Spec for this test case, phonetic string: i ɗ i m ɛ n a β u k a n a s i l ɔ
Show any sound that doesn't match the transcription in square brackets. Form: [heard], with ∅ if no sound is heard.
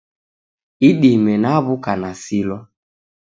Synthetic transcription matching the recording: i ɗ i m ɛ n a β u k a n a s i l ɔ